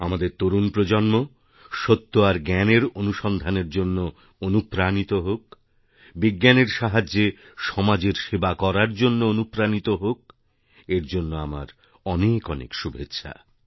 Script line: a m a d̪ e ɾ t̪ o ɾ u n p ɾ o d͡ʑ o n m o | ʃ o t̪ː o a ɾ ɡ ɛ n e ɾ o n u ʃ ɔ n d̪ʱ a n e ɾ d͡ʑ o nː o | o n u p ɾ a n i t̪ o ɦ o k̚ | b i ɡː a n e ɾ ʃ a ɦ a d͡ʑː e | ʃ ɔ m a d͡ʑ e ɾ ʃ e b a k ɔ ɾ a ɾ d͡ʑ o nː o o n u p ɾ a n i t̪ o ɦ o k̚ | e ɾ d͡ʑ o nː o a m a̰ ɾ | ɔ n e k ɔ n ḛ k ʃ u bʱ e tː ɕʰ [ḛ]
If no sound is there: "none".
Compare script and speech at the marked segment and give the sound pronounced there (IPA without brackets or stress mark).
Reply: a̰